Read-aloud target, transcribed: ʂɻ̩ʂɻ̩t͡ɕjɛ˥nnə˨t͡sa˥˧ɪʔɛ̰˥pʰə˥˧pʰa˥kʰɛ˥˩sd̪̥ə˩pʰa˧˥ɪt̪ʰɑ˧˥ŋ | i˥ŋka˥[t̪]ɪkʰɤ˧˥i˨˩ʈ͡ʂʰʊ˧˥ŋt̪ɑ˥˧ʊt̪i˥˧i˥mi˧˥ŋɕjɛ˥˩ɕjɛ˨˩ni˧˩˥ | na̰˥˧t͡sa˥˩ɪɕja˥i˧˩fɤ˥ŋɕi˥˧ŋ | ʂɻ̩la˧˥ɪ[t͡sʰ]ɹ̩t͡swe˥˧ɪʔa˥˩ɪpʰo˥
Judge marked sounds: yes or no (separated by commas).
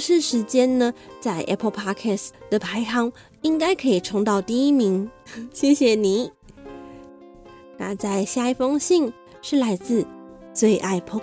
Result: no, no